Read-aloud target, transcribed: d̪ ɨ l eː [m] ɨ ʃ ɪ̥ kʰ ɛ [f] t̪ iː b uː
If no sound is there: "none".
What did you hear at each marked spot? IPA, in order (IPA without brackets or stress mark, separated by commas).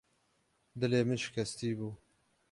m, s